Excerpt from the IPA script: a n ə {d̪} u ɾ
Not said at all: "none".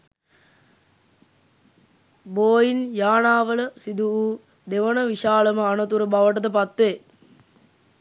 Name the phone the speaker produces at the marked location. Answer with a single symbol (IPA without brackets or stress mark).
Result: t̪